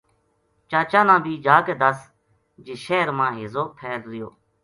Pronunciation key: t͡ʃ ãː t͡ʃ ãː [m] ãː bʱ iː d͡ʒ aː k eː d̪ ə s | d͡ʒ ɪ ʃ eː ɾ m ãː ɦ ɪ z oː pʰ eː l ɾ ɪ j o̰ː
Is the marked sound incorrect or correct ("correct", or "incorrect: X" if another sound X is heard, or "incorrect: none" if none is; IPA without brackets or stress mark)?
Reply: incorrect: n